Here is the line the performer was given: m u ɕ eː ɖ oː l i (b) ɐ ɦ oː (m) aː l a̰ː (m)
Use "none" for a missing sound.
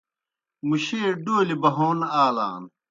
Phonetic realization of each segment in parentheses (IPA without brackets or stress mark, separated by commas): b, n, n